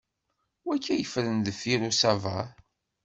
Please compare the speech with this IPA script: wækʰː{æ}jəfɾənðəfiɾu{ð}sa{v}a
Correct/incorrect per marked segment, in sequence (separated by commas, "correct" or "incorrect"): correct, incorrect, correct